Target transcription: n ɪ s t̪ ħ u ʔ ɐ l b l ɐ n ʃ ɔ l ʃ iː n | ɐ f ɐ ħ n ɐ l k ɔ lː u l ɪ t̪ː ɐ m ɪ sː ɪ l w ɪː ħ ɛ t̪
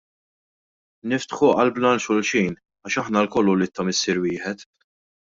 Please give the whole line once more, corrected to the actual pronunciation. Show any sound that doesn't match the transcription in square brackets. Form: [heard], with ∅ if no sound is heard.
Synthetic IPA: n ɪ [f] t̪ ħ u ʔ ɐ l b l ɐ n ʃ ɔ l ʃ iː n | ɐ [ʃ] ɐ ħ n ɐ l k ɔ lː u l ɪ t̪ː ɐ m ɪ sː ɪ [ɾ] w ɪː ħ ɛ t̪